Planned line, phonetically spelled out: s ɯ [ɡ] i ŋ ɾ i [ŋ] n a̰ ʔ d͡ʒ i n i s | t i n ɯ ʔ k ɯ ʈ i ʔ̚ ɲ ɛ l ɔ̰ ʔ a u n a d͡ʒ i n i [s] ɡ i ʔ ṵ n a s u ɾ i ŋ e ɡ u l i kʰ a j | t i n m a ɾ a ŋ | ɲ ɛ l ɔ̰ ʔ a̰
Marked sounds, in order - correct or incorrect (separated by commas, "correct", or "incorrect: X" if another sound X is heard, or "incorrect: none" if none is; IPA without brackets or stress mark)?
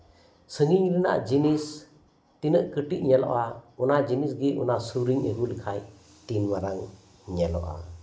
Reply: incorrect: ŋ, incorrect: none, correct